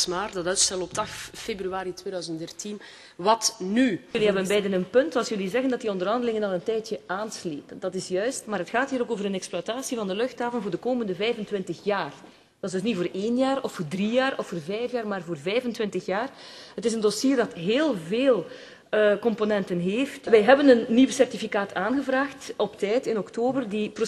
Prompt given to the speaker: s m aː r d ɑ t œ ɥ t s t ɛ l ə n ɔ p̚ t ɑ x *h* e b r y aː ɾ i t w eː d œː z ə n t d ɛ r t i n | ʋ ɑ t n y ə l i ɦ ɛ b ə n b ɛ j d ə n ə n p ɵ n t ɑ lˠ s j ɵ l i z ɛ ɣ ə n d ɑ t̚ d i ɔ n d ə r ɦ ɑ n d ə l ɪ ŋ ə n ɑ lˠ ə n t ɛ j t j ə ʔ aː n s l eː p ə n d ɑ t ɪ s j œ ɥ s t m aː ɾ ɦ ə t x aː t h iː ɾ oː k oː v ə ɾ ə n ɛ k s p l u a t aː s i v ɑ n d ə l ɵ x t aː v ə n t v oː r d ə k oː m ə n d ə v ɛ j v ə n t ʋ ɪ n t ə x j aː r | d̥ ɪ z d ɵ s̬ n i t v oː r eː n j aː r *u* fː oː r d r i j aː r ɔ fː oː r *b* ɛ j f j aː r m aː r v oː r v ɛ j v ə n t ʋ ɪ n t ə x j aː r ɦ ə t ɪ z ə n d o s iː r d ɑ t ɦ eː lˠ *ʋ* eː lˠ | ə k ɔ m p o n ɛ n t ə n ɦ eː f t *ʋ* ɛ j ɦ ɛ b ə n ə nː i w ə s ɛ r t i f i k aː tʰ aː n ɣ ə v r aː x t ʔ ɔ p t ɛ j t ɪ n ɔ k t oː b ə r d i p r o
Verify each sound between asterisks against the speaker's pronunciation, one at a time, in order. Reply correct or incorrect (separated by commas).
incorrect, incorrect, incorrect, incorrect, correct